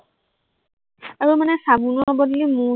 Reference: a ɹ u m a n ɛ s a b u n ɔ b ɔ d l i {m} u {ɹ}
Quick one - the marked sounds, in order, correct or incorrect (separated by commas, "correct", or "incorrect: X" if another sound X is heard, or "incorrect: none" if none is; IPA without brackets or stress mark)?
correct, incorrect: none